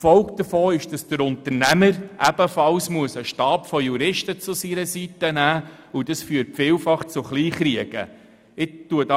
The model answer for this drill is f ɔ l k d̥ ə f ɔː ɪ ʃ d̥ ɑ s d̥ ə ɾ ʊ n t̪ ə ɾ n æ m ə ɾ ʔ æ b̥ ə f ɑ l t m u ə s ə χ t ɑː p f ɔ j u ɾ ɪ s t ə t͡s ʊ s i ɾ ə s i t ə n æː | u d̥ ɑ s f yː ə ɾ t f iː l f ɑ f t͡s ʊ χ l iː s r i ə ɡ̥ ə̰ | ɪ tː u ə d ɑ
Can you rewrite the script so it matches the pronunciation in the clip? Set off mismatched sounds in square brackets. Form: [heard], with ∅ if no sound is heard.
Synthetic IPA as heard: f ɔ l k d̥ ə f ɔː ɪ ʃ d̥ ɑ s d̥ ə ɾ ʊ n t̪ ə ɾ n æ m ə ɾ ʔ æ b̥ ə f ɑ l [s] m u ə s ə [ʃ] t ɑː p f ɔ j u ɾ ɪ [ʃ] t ə t͡s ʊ s i ɾ ə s i t ə n æː | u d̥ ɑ s f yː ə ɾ t f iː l f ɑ [χ] t͡s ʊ χ l iː [χ] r i ə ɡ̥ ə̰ | ɪ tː u ə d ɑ